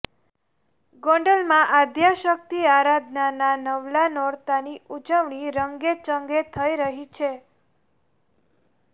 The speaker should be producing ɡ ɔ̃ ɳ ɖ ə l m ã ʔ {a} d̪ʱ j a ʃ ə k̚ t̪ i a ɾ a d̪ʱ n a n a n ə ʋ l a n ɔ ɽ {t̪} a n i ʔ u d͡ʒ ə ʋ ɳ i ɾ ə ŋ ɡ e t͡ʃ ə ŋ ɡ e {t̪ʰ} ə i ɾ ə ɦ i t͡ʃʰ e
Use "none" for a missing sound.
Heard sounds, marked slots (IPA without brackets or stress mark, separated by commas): a, t̪, t̪ʰ